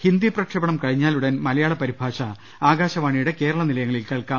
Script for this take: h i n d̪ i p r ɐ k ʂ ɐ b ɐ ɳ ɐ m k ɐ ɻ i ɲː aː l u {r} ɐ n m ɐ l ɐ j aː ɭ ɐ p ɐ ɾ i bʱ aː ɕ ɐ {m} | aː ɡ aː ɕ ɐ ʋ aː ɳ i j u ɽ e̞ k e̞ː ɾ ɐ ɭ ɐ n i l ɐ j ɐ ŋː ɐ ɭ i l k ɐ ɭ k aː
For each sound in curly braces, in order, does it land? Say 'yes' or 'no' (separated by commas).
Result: no, no